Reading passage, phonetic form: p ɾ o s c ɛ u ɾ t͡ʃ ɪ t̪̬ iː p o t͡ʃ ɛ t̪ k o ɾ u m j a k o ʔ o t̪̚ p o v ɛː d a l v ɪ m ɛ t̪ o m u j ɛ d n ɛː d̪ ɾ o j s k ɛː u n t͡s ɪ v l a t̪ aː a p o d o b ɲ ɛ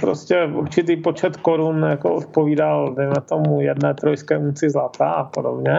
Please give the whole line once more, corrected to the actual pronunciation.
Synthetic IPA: p ɾ o s c ɛ u ɾ t͡ʃ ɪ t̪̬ iː p o t͡ʃ ɛ t̪ k o ɾ u n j a k o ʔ o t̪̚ p o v iː d a l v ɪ m ɛ t̪ o m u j ɛ d n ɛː t̪ ɾ o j s k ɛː u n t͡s ɪ z l a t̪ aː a p o d o b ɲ ɛ